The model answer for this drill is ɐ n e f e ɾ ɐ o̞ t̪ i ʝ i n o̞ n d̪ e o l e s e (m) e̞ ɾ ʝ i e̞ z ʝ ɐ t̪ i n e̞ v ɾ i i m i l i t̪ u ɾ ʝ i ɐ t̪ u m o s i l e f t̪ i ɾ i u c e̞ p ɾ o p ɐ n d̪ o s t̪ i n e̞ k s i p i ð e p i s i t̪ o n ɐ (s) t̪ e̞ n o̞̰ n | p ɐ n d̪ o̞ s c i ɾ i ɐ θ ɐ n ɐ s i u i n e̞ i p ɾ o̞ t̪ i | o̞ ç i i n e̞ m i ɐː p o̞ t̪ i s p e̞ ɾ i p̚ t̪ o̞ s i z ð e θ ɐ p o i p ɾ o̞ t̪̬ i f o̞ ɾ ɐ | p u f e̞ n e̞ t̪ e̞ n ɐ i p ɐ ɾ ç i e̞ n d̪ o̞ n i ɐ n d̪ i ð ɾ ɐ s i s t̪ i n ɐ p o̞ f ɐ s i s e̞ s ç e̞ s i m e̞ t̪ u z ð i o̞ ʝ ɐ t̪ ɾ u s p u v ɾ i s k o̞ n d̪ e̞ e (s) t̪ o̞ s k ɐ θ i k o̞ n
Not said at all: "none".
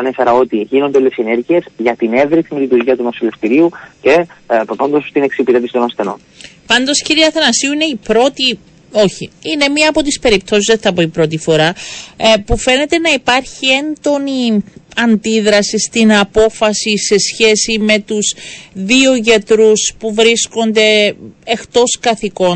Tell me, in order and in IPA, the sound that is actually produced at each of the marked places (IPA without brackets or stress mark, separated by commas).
n, s, x